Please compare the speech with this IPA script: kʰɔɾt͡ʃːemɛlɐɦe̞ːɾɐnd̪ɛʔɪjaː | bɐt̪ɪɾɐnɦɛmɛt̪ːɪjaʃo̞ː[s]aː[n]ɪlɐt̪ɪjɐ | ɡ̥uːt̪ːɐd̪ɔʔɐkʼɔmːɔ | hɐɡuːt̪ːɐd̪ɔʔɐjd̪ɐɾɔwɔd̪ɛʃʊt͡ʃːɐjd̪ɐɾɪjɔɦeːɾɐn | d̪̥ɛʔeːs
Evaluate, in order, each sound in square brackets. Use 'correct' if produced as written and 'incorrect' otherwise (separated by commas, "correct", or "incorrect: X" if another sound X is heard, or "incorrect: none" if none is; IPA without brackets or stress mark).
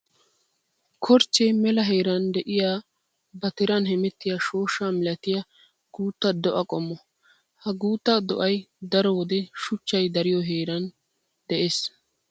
incorrect: ʃ, incorrect: m